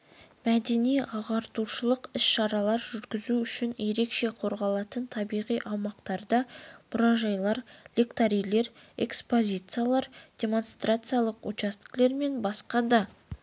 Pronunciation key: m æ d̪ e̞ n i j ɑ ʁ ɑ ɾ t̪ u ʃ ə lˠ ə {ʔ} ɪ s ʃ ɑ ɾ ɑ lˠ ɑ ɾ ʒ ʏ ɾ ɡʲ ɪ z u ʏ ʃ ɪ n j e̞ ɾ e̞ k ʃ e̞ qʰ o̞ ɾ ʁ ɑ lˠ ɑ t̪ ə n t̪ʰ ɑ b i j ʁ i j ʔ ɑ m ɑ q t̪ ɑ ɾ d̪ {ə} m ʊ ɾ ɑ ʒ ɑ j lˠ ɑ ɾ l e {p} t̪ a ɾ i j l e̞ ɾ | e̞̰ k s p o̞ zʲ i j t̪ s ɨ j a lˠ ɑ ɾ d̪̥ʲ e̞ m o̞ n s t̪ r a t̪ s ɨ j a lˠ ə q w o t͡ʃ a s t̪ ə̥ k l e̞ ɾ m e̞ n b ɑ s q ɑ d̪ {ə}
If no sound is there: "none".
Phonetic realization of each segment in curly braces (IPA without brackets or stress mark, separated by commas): q, ɑ, k, ɑ